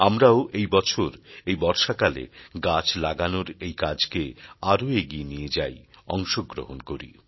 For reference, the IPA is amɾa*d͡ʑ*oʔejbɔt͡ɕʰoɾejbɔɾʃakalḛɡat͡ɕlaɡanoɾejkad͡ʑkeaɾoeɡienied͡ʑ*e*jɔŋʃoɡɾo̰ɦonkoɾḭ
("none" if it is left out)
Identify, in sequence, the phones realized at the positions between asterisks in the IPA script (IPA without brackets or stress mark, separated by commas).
none, a